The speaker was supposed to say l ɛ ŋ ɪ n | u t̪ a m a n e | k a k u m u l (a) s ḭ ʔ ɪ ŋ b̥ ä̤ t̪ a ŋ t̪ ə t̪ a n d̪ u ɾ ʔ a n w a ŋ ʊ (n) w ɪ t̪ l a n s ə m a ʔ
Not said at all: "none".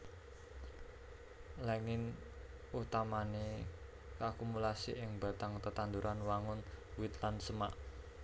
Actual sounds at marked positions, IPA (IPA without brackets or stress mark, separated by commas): a, n